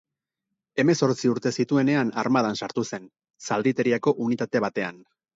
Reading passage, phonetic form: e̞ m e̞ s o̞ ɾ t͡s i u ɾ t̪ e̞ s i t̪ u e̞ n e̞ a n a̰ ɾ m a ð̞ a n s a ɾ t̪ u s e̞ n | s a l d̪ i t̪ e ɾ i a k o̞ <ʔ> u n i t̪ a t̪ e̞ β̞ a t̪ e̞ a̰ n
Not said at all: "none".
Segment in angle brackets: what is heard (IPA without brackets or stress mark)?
ʔ